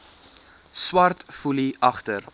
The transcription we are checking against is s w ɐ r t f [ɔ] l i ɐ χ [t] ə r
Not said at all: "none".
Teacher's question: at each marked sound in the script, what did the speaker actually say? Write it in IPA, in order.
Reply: u, t

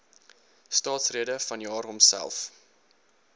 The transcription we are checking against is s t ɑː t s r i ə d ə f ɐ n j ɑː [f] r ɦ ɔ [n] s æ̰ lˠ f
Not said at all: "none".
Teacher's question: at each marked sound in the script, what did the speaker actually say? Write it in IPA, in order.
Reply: none, m

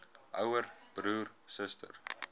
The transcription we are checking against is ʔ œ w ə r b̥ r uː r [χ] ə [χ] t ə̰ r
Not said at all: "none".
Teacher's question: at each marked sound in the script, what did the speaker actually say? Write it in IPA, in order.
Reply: s, s

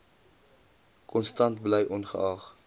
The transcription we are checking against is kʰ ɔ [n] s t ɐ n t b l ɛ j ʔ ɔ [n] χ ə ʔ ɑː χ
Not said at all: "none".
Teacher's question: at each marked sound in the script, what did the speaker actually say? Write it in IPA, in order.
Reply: n, n

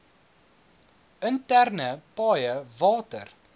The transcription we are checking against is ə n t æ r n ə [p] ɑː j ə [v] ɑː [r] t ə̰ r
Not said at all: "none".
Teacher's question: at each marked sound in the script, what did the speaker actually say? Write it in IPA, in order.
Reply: p, v, none

